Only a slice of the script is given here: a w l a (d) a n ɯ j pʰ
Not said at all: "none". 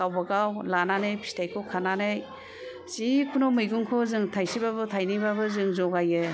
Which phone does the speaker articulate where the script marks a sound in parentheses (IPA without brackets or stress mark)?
n